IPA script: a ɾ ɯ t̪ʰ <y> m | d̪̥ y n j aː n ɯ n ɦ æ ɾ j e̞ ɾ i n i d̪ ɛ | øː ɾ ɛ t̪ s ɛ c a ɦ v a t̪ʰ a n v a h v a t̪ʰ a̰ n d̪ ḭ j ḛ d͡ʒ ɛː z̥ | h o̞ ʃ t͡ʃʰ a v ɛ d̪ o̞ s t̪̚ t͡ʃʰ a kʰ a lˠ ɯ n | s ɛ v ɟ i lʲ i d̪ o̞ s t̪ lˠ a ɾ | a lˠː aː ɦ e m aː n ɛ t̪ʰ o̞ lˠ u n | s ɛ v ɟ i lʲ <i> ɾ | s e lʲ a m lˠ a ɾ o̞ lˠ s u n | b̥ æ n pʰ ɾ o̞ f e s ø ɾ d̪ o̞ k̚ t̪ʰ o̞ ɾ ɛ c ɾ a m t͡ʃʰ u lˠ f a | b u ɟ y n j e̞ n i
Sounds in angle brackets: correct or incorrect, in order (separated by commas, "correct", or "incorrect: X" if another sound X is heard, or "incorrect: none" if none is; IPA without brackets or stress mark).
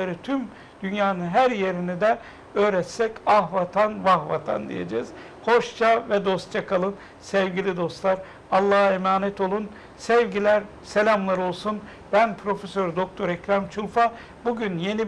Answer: correct, incorrect: æ